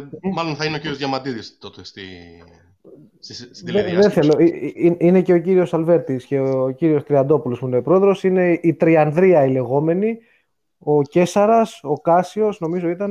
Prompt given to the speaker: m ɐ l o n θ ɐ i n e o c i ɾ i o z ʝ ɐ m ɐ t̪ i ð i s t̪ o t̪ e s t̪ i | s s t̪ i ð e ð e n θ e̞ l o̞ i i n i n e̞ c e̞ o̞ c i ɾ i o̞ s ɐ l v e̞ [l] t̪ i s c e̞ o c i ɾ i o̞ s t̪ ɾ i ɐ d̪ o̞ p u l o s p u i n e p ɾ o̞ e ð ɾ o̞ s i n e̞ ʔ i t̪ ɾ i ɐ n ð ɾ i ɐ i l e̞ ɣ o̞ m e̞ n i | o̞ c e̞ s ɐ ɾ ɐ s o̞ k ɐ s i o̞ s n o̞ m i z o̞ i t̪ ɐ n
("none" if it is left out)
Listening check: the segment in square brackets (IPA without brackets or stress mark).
ɾ